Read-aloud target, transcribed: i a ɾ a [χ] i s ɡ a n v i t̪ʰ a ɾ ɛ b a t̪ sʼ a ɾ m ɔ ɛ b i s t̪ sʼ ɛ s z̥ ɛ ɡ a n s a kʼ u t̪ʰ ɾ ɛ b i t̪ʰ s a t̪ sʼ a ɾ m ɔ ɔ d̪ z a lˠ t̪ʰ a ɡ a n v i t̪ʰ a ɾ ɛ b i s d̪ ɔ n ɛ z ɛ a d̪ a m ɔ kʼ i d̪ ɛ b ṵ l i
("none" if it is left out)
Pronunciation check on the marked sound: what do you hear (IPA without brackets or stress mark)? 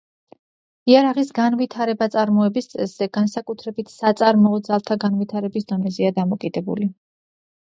ʁ